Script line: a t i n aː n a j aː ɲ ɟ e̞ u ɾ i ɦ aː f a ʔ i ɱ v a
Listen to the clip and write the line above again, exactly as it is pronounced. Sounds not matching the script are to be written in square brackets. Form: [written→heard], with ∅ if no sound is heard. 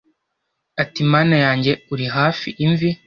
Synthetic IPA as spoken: a t i [n→m] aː n a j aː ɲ ɟ e̞ u ɾ i ɦ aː f [a→i] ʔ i ɱ v [a→i]